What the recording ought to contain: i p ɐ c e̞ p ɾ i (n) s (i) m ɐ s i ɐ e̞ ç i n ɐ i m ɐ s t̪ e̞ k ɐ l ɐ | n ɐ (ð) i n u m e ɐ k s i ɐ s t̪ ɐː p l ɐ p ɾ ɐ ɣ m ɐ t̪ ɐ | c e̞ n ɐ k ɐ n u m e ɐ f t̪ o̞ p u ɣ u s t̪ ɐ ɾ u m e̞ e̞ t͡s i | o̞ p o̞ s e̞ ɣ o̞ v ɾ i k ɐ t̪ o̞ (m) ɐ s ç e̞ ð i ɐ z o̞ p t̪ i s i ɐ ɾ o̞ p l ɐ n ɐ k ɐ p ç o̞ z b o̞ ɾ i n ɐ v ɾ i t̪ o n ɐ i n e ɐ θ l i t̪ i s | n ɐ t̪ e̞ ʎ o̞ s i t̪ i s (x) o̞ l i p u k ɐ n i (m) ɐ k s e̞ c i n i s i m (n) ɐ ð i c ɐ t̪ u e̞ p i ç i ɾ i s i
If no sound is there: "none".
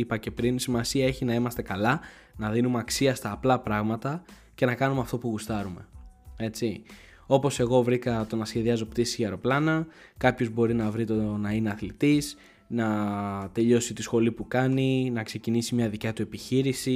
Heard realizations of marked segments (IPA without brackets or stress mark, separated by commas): n, i, ð, n, x, n, ɲ